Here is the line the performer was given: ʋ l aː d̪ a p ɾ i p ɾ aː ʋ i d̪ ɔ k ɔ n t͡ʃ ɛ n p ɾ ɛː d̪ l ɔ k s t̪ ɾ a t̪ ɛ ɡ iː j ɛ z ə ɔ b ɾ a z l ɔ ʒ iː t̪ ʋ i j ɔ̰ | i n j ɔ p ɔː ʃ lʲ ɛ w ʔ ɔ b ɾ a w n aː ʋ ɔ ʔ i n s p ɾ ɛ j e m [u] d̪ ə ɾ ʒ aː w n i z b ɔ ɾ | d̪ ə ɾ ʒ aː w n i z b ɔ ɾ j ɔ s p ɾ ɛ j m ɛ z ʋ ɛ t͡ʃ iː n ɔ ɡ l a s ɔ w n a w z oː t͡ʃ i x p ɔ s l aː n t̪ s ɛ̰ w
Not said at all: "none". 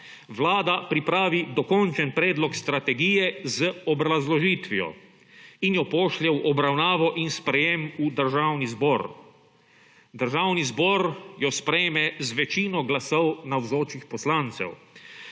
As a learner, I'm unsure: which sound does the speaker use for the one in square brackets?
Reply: u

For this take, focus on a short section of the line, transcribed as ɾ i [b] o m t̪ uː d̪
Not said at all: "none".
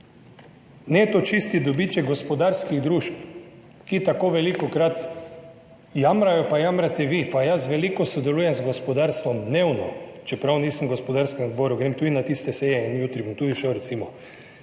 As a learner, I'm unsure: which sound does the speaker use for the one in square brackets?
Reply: b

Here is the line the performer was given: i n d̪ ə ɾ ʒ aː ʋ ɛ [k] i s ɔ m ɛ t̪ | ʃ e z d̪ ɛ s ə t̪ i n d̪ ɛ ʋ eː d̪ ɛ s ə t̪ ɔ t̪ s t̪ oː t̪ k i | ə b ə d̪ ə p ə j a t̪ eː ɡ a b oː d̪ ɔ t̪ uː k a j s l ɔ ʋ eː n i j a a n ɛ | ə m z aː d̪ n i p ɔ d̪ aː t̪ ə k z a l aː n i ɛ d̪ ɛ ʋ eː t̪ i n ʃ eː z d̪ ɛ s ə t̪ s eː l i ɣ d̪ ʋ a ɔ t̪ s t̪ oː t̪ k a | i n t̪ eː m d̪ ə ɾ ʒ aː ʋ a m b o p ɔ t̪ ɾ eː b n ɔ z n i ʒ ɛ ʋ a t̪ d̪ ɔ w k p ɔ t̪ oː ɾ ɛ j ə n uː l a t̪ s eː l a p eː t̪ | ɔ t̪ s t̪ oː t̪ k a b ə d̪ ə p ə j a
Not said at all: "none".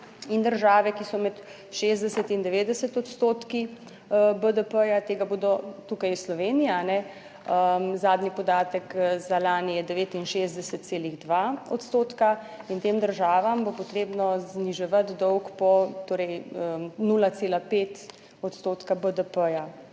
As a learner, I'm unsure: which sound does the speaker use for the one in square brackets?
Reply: k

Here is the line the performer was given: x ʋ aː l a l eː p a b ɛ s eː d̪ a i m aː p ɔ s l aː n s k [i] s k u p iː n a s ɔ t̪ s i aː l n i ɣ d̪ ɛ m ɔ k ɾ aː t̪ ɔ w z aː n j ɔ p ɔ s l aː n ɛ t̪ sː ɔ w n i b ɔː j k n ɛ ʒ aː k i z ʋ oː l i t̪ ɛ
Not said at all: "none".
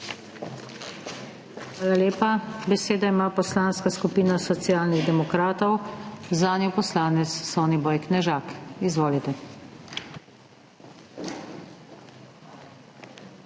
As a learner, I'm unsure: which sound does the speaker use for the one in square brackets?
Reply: a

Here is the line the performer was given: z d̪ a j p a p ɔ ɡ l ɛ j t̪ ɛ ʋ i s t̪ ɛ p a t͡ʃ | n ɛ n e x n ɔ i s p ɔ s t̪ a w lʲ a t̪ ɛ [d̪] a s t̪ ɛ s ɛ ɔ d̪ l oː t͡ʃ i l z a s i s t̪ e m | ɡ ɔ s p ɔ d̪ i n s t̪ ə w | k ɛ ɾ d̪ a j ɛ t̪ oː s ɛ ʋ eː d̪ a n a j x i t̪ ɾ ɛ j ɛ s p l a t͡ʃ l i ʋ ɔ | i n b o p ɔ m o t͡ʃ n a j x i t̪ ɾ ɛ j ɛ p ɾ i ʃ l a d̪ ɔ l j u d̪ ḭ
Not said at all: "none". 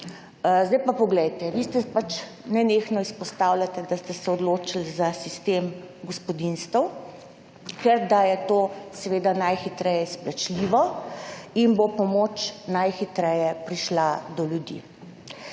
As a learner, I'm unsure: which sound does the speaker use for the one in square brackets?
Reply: d̪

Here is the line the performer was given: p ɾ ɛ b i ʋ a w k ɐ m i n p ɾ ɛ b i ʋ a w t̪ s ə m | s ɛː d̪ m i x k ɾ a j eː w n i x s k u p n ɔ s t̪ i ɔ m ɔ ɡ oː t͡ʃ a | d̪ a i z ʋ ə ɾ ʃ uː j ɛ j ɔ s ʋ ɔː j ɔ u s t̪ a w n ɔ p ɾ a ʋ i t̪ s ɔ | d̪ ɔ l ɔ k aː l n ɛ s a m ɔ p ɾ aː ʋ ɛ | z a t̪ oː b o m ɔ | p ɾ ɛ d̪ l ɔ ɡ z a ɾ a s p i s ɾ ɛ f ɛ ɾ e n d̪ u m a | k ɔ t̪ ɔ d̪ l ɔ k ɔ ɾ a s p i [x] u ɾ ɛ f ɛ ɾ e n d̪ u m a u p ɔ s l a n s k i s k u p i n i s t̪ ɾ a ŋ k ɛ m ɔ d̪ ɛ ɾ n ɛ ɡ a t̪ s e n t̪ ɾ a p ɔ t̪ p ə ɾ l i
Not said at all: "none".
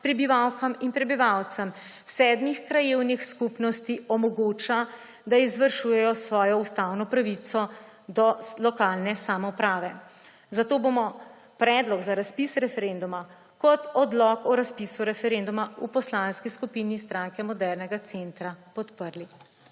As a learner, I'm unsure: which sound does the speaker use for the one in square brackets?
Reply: s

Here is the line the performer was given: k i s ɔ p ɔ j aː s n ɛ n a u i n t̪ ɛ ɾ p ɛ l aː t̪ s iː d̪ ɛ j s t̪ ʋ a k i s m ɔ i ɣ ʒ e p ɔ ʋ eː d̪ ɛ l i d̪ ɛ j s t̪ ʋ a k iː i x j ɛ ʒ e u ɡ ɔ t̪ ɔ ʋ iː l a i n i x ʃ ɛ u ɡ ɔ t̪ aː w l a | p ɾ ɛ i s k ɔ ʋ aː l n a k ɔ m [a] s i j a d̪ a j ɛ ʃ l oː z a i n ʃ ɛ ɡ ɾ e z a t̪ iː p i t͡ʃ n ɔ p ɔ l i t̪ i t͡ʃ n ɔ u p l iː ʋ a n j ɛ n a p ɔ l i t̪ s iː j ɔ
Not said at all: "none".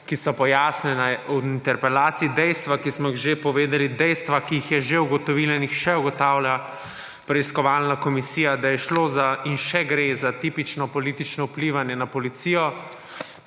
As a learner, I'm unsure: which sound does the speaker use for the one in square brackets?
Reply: i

